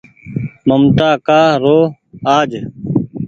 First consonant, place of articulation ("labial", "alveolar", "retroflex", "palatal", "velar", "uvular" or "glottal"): labial